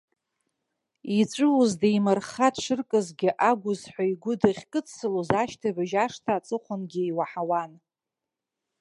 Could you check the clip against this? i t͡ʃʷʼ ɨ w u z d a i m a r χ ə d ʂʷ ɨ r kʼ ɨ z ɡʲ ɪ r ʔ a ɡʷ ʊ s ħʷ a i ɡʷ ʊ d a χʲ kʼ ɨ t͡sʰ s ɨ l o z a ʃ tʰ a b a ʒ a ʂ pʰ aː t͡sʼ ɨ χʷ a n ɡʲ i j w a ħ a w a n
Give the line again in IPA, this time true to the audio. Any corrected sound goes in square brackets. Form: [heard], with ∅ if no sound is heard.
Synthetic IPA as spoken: i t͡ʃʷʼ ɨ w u z d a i m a r χ [a] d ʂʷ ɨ r kʼ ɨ z ɡʲ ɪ [∅] ʔ a ɡʷ ʊ [z] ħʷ a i ɡʷ ʊ d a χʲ kʼ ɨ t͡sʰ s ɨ l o z a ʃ tʰ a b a ʒ a ʂ [tʰ] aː t͡sʼ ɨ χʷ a n ɡʲ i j w a ħ a w a n

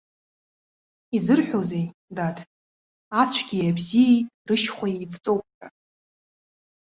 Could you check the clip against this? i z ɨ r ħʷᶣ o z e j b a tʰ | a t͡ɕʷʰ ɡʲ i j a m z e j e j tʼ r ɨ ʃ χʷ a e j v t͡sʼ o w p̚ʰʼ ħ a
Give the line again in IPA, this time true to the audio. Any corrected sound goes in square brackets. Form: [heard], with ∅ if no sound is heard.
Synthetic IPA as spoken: i z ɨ r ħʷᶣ o z e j [d] a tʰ | a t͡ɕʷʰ ɡʲ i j a [b] z [i] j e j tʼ r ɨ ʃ χʷ a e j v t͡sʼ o w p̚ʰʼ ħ a

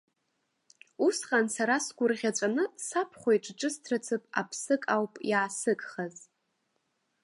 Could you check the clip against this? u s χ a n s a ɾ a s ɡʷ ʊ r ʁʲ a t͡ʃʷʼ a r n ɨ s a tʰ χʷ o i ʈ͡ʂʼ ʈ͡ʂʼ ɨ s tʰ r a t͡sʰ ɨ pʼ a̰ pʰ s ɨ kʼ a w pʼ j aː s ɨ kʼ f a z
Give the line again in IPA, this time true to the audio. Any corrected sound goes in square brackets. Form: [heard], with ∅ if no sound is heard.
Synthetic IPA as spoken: u s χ a n s a ɾ a s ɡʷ ʊ r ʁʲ a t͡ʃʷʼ a [∅] n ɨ s a [pʰ] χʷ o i ʈ͡ʂʼ ʈ͡ʂʼ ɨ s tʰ r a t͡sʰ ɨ pʼ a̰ pʰ s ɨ kʼ a w pʼ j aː s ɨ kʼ [χ] a z

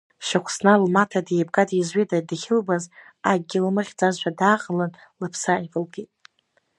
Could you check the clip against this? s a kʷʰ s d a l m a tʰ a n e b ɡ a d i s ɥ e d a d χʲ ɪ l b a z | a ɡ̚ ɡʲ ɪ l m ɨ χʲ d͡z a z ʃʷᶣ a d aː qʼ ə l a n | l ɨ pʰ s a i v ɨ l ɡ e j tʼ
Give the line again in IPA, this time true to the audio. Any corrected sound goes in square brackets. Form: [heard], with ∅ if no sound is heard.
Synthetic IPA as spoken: [ʃ] a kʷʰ s [n] a l m a tʰ a [d] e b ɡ a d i [z] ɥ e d a d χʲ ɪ l b a z | a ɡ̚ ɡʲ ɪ l m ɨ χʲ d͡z a z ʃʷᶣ a d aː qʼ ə l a n | l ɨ pʰ s a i v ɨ l ɡ e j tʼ

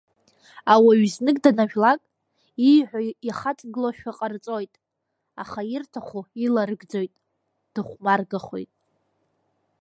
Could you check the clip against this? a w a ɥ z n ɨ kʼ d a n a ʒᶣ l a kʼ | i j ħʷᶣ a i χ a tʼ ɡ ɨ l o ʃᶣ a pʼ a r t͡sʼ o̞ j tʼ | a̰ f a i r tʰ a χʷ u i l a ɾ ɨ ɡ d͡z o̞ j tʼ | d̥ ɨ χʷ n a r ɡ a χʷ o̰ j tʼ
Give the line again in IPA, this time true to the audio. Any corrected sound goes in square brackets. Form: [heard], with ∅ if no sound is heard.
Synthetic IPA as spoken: a w a ɥ z n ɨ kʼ d a n a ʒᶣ l a kʼ | i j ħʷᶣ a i χ a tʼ ɡ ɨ l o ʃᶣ a [qʼ] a r t͡sʼ o̞ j tʼ | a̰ [χ] a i r tʰ a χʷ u i l a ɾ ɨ ɡ d͡z o̞ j tʼ | d̥ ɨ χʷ [m] a r ɡ a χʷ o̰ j tʼ

